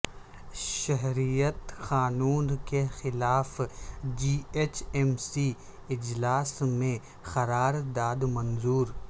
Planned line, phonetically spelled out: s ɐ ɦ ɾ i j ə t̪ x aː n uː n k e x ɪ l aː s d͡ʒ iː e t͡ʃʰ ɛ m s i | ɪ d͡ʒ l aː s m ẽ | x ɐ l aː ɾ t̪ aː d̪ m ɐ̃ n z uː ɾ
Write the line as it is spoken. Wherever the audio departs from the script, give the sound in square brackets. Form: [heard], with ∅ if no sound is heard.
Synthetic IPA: [ʃ] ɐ ɦ ɾ i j ə t̪ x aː n uː n k e x ɪ l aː [f] d͡ʒ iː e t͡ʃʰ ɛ m s i | ɪ d͡ʒ l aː s m ẽ | x ɐ [ɾ] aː ɾ [d̪] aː d̪ m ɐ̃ n z uː ɾ